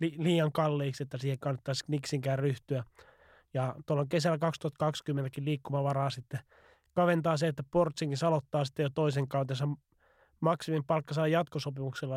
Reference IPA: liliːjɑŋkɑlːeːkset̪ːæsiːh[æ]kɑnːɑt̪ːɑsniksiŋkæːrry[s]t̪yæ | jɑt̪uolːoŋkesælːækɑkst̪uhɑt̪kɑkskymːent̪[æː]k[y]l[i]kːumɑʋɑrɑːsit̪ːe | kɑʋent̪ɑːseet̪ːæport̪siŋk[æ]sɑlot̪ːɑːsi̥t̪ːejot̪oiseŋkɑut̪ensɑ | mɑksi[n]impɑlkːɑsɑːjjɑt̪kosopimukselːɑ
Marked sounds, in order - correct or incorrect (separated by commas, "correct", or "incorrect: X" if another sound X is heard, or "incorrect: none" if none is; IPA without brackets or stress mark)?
incorrect: e, incorrect: h, incorrect: æ, incorrect: i, incorrect: iː, incorrect: i, incorrect: m